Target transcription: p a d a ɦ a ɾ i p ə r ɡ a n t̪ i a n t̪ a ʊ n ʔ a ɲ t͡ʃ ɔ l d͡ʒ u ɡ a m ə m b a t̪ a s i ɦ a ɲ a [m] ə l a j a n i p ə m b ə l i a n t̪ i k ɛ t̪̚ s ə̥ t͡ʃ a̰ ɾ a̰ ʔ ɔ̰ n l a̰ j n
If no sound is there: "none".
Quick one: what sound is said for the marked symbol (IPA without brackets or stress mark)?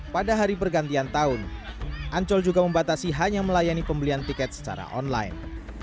m